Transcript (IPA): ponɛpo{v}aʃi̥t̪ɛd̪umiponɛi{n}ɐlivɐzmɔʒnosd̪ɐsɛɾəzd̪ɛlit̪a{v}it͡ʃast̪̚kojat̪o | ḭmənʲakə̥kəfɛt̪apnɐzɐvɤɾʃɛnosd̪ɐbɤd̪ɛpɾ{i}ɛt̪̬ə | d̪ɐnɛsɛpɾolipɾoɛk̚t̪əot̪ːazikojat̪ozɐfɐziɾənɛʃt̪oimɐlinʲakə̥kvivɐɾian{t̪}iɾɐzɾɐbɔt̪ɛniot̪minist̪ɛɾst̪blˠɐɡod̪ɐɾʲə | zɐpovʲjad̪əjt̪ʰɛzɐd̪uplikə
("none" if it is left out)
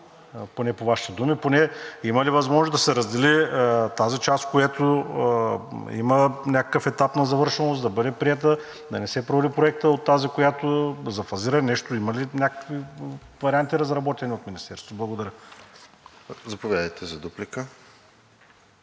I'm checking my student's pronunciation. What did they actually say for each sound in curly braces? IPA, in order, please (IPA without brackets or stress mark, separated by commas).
v, m, z, i, t̪